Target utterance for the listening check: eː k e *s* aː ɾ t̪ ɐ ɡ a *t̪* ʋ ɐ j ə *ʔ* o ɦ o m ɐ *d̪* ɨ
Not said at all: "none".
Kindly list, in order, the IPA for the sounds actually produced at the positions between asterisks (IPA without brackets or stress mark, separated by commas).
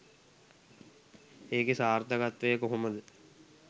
s, t̪, k, d̪